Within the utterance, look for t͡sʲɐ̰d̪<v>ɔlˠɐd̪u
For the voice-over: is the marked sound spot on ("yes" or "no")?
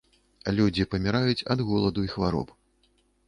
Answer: no